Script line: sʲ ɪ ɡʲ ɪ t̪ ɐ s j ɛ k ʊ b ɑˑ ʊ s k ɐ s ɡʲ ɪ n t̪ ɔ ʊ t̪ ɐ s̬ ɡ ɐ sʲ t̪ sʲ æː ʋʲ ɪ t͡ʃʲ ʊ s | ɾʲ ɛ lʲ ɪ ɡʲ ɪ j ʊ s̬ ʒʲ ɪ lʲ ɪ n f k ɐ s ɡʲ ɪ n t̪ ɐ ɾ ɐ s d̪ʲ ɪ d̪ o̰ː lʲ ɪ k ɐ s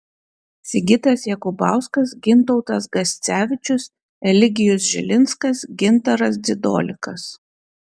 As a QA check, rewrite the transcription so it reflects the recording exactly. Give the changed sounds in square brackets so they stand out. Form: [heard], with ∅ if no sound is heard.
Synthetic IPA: sʲ ɪ ɡʲ ɪ t̪ ɐ s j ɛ k ʊ b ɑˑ ʊ s k ɐ s ɡʲ ɪ n t̪ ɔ ʊ t̪ ɐ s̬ ɡ ɐ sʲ t̪ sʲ æː ʋʲ ɪ t͡ʃʲ ʊ s | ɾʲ ɛ lʲ ɪ ɡʲ ɪ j ʊ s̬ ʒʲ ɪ lʲ ɪ n [s] k ɐ s ɡʲ ɪ n t̪ ɐ ɾ ɐ s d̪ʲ ɪ d̪ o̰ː lʲ ɪ k ɐ s

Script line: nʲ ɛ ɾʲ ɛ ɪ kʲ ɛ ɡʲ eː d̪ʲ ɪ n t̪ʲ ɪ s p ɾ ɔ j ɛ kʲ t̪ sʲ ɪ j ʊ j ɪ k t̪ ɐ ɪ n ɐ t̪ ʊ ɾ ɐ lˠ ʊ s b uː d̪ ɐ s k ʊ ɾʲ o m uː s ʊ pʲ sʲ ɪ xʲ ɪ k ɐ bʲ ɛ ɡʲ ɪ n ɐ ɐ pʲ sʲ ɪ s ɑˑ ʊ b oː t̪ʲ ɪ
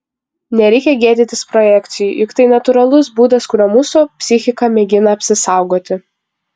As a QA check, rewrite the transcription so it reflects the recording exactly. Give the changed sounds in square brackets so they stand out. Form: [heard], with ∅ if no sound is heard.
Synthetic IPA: nʲ ɛ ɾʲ ɛ ɪ kʲ ɛ ɡʲ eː d̪ʲ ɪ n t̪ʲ ɪ s p ɾ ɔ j ɛ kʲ t̪ sʲ ɪ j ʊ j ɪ k t̪ ɐ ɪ n ɐ t̪ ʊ ɾ ɐ lˠ ʊ s b uː d̪ ɐ s k ʊ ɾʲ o m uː s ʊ pʲ sʲ ɪ xʲ ɪ k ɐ [mʲ] ɛ ɡʲ ɪ n ɐ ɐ pʲ sʲ ɪ s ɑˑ ʊ [ɡ] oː t̪ʲ ɪ

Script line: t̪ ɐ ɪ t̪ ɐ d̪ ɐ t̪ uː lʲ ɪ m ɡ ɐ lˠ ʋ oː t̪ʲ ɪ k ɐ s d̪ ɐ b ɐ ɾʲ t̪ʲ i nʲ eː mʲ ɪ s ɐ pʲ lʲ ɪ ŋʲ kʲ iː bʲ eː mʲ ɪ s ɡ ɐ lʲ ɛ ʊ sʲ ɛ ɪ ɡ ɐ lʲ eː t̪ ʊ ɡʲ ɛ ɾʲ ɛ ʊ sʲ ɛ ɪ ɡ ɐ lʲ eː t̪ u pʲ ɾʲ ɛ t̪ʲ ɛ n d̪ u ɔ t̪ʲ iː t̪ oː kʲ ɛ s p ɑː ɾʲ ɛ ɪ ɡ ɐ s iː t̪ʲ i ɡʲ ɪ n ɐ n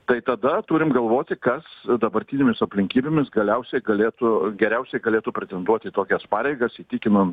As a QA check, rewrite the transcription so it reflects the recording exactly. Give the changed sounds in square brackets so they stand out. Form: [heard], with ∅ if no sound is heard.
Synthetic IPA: t̪ ɐ ɪ t̪ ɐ d̪ ɐ t̪ uː [ɾʲ] ɪ m ɡ ɐ lˠ ʋ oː t̪ʲ ɪ k ɐ s d̪ ɐ b ɐ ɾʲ t̪ʲ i nʲ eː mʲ ɪ s ɐ pʲ lʲ ɪ ŋʲ kʲ iː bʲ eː mʲ ɪ s ɡ ɐ lʲ ɛ ʊ sʲ ɛ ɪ ɡ ɐ lʲ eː t̪ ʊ ɡʲ ɛ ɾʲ ɛ ʊ sʲ ɛ ɪ ɡ ɐ lʲ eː t̪ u pʲ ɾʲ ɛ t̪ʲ ɛ n d̪ u ɔ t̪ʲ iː t̪ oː kʲ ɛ s p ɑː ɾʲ ɛ ɪ ɡ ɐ s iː t̪ʲ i [kʲ] ɪ n ɐ n

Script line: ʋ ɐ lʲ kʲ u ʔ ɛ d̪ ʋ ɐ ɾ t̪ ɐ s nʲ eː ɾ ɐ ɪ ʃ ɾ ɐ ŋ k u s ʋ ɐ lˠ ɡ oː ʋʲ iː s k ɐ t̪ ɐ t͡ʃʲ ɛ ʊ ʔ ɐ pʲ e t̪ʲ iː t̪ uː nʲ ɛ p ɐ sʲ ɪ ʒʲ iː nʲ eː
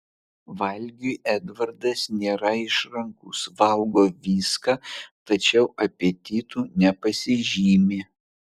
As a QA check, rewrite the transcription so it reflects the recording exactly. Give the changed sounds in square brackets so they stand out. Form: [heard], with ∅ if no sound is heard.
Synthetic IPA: ʋ ɐ lʲ [ɡʲ] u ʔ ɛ d̪ ʋ ɐ ɾ [d̪] ɐ s nʲ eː ɾ ɐ ɪ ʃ ɾ ɐ ŋ k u s ʋ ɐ lˠ ɡ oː ʋʲ iː s k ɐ t̪ ɐ t͡ʃʲ ɛ ʊ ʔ ɐ pʲ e t̪ʲ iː t̪ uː nʲ ɛ p ɐ sʲ ɪ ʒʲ iː [mʲ] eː

